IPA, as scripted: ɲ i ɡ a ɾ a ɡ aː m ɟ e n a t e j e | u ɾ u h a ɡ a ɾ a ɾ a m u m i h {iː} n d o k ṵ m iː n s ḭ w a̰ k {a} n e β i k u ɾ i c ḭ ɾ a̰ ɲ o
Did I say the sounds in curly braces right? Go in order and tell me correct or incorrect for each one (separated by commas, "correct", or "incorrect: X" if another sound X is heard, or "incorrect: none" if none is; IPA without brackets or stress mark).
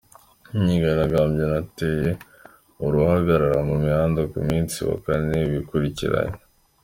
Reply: incorrect: aː, correct